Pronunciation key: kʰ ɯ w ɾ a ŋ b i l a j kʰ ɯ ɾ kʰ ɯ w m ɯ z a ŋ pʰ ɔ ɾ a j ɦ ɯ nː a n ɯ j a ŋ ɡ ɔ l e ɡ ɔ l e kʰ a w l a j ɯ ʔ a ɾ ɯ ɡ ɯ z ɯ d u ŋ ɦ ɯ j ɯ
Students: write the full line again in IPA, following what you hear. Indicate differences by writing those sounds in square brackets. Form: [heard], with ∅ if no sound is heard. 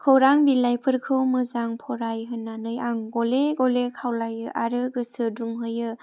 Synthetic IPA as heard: kʰ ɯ w ɾ a ŋ b i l a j [pʰ] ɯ ɾ kʰ ɯ w m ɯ z a ŋ pʰ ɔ ɾ a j ɦ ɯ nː a n ɯ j a ŋ ɡ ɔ l e ɡ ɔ l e kʰ a w l a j ɯ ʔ a ɾ ɯ ɡ ɯ [s] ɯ d u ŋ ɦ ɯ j ɯ